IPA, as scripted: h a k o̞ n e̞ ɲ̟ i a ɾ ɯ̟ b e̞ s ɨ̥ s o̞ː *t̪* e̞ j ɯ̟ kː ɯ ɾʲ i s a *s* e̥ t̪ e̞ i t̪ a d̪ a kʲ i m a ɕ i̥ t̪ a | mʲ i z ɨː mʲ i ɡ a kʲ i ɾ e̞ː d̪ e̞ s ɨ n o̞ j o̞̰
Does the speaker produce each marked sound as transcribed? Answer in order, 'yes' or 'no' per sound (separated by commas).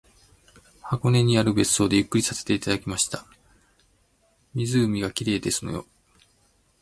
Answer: no, yes